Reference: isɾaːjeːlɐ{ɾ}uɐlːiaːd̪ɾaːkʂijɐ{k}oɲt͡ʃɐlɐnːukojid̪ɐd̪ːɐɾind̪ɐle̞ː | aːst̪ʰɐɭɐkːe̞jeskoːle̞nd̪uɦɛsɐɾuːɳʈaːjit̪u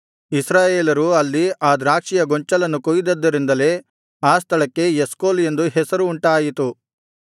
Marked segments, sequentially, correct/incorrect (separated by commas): correct, incorrect